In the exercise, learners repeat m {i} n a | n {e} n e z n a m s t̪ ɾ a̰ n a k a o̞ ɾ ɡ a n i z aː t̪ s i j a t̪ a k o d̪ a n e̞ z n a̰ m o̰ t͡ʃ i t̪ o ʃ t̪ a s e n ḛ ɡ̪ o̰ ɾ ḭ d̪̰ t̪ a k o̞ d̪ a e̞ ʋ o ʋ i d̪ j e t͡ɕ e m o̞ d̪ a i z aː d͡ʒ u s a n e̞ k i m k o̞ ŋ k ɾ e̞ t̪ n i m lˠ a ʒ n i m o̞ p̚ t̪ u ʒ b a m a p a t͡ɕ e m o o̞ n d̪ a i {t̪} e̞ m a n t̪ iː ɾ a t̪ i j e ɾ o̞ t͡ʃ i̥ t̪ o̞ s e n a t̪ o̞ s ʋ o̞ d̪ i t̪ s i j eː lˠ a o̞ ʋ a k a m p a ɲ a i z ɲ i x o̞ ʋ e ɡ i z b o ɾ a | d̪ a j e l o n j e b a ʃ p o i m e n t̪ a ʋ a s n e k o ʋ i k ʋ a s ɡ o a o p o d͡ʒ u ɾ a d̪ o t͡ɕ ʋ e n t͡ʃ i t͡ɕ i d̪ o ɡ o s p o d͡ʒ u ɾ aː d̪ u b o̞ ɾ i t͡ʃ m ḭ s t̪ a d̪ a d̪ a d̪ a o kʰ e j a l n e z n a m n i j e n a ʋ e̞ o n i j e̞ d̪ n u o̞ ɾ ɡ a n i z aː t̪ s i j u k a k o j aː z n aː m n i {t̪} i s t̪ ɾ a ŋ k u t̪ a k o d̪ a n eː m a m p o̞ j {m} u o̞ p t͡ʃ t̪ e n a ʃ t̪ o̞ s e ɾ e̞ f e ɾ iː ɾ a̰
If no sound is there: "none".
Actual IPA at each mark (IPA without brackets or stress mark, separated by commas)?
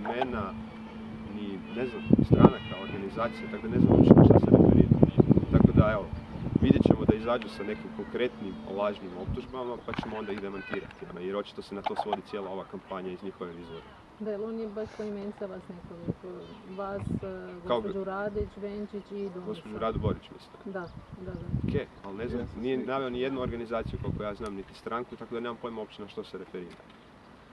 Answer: e, i, d̪, t̪, m